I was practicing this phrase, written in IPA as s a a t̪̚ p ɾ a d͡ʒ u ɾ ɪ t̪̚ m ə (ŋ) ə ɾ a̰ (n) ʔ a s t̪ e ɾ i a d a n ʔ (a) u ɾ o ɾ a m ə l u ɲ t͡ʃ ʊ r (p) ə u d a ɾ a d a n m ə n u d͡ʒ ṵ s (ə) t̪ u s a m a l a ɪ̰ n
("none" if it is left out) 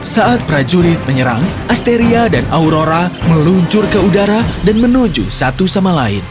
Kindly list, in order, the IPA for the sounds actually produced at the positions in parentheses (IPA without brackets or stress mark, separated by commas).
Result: ɲ, ŋ, a, k, a